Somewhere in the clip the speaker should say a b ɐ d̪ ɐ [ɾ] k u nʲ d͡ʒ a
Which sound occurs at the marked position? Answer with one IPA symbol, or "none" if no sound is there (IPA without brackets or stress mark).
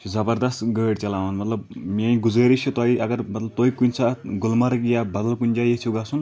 l